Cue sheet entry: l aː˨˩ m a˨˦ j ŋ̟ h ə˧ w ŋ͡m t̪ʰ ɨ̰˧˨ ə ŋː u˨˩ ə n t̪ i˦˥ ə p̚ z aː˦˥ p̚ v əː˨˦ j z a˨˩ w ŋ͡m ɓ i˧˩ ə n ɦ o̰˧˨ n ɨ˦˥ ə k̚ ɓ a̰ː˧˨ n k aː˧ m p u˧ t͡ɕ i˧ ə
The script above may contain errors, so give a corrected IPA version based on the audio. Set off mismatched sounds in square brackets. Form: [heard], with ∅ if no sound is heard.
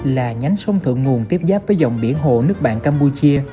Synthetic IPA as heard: l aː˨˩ [ɲ] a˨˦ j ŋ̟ [s] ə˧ w ŋ͡m t̪ʰ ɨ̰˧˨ ə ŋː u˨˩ ə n t̪ i˦˥ ə p̚ z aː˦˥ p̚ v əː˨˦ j z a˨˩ w ŋ͡m ɓ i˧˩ ə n ɦ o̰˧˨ n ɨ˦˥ ə k̚ ɓ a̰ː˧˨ n k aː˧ m p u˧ t͡ɕ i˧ ə